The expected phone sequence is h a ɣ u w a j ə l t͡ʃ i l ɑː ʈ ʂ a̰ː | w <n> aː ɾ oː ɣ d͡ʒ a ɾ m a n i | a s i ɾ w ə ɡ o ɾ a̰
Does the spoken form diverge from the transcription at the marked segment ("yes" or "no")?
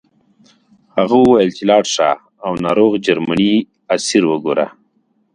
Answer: no